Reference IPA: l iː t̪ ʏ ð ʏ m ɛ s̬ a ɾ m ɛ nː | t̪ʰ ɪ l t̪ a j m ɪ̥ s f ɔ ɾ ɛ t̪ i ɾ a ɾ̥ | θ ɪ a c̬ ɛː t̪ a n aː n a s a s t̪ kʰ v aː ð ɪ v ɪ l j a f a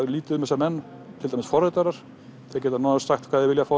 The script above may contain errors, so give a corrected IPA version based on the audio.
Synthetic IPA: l iː t̪ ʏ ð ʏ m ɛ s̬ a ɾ m ɛ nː | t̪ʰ ɪ l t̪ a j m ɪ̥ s f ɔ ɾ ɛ t̪ a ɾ a ɾ̥ | θ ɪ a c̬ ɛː t̪ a n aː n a s a x t̪ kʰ v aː ð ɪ v ɪ l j a f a